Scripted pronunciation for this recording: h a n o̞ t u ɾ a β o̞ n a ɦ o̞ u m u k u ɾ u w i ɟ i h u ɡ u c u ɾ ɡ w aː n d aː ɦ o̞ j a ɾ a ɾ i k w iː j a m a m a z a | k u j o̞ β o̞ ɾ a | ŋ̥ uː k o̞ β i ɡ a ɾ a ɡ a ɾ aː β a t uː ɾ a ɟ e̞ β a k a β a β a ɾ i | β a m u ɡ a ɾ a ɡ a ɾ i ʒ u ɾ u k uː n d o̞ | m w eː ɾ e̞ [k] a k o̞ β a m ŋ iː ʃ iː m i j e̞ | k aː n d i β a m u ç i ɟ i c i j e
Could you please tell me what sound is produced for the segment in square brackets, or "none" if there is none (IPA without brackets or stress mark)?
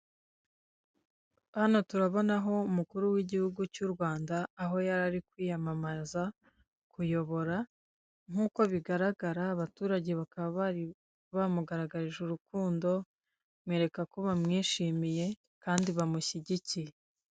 k